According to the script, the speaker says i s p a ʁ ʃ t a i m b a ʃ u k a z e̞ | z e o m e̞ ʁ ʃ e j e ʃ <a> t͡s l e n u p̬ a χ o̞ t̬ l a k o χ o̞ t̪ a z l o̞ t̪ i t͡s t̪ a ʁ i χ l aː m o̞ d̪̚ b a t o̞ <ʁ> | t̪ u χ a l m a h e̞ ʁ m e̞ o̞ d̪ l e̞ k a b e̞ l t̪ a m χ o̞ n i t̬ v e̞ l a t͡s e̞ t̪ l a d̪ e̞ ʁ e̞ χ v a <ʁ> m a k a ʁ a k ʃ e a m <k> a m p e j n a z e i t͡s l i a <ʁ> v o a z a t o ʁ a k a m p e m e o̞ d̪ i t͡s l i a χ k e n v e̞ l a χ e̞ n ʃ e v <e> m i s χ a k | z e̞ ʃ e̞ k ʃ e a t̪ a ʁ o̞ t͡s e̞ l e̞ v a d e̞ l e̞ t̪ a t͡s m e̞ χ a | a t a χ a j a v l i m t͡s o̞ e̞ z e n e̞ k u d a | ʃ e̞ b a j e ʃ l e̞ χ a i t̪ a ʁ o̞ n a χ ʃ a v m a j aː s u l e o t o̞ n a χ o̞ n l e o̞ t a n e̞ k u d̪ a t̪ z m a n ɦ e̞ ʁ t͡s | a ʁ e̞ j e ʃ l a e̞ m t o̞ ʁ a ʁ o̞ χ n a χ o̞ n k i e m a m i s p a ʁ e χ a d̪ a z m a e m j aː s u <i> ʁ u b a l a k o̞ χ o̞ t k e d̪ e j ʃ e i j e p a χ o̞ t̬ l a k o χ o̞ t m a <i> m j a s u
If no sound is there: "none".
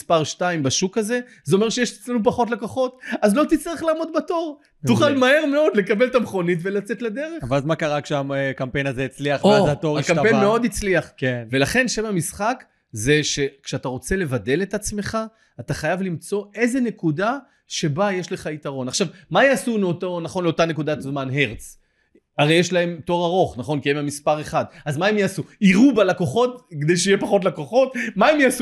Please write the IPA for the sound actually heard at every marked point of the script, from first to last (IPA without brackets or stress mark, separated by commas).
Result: e, ʁ, z, k, χ, a, i, e